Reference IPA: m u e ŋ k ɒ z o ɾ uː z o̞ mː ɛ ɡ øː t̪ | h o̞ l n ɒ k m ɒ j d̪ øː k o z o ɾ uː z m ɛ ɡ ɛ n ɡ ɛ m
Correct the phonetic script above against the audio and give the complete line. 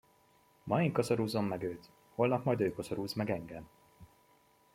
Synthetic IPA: m ɒ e ŋ k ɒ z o ɾ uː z o̞ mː ɛ ɡ øː t̪ | h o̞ l n ɒ k m ɒ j d̪ øː k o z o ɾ uː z m ɛ ɡ ɛ ŋ ɡ ɛ m